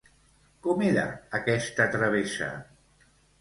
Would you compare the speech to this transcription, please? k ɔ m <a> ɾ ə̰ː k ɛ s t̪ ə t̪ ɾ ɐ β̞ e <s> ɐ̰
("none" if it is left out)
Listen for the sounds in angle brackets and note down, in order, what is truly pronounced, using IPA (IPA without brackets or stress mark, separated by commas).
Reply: e, s